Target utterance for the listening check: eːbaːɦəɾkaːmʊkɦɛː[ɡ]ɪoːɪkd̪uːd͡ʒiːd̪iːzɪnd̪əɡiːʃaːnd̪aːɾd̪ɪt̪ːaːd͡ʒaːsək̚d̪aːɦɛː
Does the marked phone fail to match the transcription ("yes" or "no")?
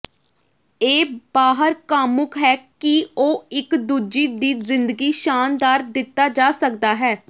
yes